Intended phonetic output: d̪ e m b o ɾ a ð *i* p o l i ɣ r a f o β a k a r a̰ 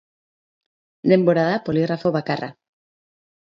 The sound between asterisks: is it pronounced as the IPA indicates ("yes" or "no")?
no